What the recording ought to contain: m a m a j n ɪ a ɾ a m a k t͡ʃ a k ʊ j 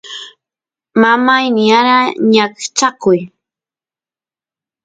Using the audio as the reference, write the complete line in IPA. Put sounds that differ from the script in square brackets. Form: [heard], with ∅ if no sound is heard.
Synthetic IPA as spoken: m a m a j n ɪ a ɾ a [ɲ] a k t͡ʃ a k ʊ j